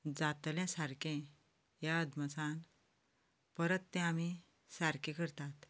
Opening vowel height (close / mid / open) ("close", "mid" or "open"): open